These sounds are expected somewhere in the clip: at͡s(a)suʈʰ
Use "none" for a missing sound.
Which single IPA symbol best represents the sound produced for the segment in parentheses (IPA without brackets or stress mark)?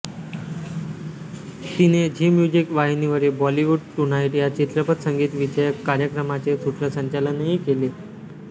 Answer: e